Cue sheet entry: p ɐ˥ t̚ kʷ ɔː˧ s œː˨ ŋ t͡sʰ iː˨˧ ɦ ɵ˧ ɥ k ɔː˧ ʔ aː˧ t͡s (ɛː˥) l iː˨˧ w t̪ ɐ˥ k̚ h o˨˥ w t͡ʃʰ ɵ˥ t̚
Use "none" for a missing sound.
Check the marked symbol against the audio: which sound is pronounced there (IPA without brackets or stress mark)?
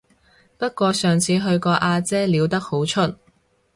ɛː˥